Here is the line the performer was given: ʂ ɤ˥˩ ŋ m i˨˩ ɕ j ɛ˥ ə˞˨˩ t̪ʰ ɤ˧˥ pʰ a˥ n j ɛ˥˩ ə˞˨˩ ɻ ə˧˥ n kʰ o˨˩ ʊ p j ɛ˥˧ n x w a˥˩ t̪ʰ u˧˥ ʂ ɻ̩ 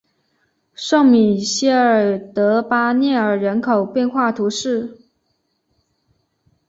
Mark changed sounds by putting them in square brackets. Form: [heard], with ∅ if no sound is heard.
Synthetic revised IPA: ʂ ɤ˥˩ ŋ m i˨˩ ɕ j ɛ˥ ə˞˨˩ [t̪] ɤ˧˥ [p] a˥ n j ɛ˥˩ ə˞˨˩ ɻ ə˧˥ n kʰ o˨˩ ʊ p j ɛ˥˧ n x w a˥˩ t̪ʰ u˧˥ ʂ ɻ̩